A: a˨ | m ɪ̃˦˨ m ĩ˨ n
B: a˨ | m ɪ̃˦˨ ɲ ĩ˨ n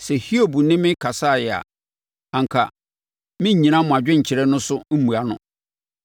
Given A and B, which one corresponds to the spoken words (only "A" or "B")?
B